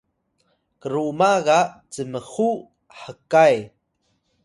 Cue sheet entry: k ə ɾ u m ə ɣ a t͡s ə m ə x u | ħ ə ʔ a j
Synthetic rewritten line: k ə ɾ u m a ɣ a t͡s ə m ə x u | ħ ə k a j